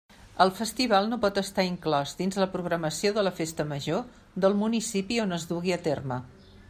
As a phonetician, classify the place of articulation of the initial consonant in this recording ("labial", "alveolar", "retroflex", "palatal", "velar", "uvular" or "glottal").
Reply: alveolar